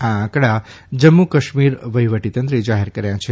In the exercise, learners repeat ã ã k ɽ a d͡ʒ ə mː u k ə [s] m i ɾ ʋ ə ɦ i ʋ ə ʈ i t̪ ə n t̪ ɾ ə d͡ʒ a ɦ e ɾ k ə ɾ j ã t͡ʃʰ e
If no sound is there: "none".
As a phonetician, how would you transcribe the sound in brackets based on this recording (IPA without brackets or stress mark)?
ʃ